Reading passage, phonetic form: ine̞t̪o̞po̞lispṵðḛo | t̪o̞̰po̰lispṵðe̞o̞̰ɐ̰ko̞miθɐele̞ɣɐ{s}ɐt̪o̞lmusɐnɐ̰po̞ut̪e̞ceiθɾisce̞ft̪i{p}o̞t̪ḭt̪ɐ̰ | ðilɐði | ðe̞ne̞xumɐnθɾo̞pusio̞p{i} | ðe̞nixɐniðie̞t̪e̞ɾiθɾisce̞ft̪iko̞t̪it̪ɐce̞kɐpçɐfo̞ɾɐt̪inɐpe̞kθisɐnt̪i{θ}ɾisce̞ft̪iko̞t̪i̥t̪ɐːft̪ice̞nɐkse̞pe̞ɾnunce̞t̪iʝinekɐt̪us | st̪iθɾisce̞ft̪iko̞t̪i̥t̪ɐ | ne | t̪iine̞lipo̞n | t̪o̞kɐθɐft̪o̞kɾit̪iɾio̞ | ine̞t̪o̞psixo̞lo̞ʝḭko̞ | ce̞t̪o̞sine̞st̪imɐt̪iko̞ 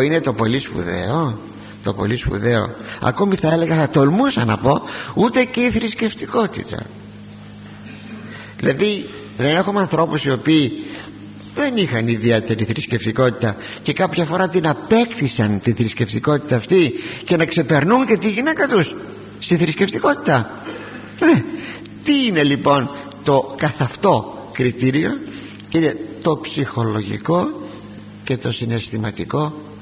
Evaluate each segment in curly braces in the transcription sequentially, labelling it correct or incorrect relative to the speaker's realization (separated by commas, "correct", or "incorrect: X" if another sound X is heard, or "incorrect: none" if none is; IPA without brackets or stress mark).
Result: incorrect: θ, incorrect: k, incorrect: iː, correct